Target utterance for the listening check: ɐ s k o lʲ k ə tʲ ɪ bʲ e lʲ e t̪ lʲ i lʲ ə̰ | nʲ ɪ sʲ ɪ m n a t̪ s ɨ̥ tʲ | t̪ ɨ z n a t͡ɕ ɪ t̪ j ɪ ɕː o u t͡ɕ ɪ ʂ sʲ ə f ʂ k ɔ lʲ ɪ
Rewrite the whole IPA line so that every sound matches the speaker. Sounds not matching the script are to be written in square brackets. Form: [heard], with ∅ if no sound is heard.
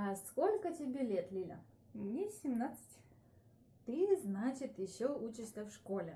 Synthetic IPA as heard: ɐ s k o lʲ k ə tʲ ɪ bʲ e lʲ e t̪ lʲ i lʲ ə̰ | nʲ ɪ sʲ ɪ m n a t̪ s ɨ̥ tʲ | t̪ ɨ z n a t͡ɕ ɪ t̪ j ɪ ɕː o u t͡ɕ ɪ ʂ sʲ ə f ʂ k [o] lʲ ɪ